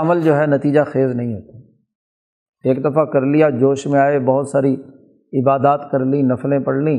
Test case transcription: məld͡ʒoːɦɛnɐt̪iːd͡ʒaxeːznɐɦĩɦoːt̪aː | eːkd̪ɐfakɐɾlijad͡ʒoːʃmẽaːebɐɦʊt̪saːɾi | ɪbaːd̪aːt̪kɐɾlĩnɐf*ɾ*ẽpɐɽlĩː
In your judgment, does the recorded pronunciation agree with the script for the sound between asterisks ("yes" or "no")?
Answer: no